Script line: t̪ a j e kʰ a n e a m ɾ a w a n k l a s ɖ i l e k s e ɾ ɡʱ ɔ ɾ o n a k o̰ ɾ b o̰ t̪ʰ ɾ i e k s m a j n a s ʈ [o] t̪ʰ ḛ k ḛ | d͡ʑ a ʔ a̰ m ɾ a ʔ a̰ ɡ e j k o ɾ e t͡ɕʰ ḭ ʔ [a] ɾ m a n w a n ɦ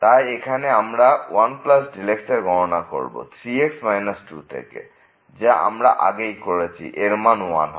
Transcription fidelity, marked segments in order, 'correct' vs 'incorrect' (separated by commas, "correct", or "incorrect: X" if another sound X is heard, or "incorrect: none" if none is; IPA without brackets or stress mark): incorrect: u, incorrect: e